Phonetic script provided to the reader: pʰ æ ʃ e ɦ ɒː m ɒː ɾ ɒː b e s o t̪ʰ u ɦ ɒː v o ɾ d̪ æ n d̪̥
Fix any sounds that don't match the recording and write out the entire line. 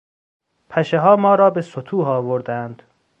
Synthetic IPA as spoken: pʰ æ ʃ e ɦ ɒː m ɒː ɾ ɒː b e s o t̪ʰ uː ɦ ɒː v o ɾ d̪ æ n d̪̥